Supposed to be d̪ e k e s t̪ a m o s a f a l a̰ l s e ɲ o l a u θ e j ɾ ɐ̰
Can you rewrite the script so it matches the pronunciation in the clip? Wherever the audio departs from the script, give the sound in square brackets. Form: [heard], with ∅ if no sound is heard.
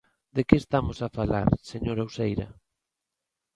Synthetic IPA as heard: d̪ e k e s t̪ a m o s a f a l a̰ [ɾ] s e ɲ o [ɾ] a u [s] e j ɾ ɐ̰